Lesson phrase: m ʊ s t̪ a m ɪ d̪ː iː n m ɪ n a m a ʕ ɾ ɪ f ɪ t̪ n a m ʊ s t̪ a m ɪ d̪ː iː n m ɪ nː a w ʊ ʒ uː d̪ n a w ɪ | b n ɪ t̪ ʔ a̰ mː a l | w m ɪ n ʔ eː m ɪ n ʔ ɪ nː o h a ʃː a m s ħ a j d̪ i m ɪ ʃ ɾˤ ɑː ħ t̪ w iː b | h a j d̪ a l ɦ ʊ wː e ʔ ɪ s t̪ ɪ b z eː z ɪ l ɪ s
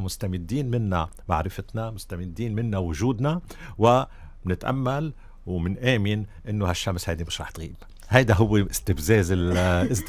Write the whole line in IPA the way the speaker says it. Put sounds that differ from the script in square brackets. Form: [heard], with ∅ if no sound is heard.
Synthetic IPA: m ʊ s t̪ a m ɪ d̪ː iː n m ɪ [nː] a m a ʕ ɾ ɪ f ɪ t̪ n a m ʊ s t̪ a m ɪ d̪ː iː n m ɪ nː a w ʊ ʒ uː d̪ n a w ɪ | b n ɪ t̪ ʔ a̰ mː a l | w m ɪ n ʔ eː m ɪ n ʔ ɪ nː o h a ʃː a m s [h] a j d̪ i m ɪ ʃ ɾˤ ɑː ħ t̪ [ɣ] iː b | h a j d̪ a [∅] ɦ ʊ wː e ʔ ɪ s t̪ ɪ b z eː z ɪ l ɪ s